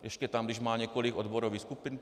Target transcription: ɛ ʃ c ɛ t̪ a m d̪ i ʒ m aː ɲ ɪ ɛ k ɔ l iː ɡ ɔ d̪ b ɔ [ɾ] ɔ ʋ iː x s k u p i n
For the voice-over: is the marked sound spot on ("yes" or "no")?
yes